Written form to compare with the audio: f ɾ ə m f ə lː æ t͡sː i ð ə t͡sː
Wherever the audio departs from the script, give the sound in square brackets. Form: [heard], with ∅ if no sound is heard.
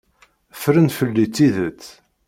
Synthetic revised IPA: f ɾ ə [n] f ə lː [i] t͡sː i ð ə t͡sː